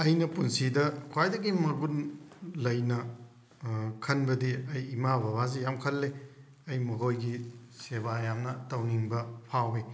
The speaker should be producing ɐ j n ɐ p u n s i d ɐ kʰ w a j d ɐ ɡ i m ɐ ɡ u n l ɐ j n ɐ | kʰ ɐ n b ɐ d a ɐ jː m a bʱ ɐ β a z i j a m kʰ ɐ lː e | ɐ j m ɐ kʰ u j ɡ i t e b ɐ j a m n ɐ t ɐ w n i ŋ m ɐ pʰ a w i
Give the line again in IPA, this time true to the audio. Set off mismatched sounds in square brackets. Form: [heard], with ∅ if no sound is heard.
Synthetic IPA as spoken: ɐ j n ɐ p u n s i d ɐ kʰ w a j d ɐ ɡ i m ɐ ɡ u n l ɐ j n ɐ | kʰ ɐ n b ɐ d [i] ɐ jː m a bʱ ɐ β a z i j a m kʰ ɐ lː e | ɐ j m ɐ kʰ [o] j ɡ i [s] e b [a] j a m n ɐ t ɐ w n i ŋ [b] ɐ pʰ a w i

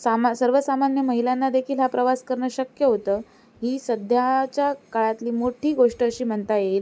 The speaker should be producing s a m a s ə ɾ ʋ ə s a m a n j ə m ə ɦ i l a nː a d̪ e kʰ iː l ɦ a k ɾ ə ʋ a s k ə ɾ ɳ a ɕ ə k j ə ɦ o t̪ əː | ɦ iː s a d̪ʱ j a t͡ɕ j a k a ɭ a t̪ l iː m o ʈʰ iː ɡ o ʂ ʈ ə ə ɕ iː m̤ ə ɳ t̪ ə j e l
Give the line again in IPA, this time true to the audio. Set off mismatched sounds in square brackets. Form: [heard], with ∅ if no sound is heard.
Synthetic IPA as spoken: s a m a s ə ɾ ʋ ə s a m a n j ə m ə ɦ i l a nː a d̪ e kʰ iː l ɦ a [p] ɾ ə ʋ a s k ə ɾ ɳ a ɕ ə k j ə ɦ o t̪ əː | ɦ iː s [ə] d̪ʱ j a t͡ɕ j a k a ɭ a t̪ l iː m o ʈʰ iː ɡ o ʂ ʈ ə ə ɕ iː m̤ ə ɳ t̪ [a] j e l

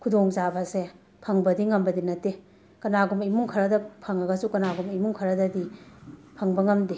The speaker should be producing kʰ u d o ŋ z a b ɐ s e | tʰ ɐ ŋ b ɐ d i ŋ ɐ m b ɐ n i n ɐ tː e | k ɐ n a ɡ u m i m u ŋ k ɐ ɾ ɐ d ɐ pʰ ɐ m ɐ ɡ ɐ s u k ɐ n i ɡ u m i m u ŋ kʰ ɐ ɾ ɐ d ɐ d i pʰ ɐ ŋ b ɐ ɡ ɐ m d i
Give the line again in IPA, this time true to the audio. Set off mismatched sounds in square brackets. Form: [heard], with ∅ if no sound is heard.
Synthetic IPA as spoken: kʰ u d o ŋ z a b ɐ s e | [pʰ] ɐ ŋ b ɐ d i ŋ ɐ m b ɐ [d] i n ɐ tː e | k ɐ n a ɡ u m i m u ŋ [kʰ] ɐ ɾ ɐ d ɐ pʰ ɐ [ŋ] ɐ ɡ ɐ s u k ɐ n [a] ɡ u m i m u ŋ kʰ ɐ ɾ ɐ d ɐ d i pʰ ɐ ŋ b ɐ [ŋ] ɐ m d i

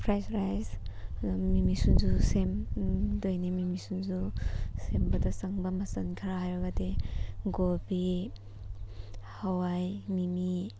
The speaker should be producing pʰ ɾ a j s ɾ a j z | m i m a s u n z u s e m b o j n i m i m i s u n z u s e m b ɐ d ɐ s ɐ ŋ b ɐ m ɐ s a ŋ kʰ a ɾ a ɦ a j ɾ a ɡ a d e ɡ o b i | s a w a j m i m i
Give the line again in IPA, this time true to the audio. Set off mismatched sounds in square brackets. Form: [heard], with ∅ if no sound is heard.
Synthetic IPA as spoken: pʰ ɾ a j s ɾ a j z | m i m [i] s u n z u s e m [d] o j n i m i m i s u n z u s e m b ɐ d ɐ s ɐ ŋ b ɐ m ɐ s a [n] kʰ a ɾ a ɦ a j ɾ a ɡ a d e ɡ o b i | [h] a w a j m i m i

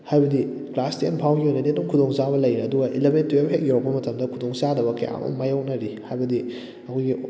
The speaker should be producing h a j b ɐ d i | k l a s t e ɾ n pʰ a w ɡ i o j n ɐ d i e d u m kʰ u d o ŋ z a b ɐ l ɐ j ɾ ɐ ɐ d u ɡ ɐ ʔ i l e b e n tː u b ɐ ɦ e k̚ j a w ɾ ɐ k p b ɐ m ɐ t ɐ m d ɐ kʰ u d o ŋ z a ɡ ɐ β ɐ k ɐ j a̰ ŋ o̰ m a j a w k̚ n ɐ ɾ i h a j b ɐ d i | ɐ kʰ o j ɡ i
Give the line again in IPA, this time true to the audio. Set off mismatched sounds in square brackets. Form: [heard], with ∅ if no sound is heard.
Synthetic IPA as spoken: h a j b ɐ d i | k l a s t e [∅] n pʰ a w ɡ i o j n ɐ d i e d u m kʰ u d o ŋ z a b ɐ l ɐ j ɾ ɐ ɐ d u ɡ ɐ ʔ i l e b e n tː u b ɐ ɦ e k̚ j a w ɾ ɐ k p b ɐ m ɐ t ɐ m d ɐ kʰ u d o ŋ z a [d] ɐ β ɐ k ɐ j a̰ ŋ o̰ m a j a w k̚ n ɐ ɾ i h a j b ɐ d i | ɐ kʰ o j ɡ i

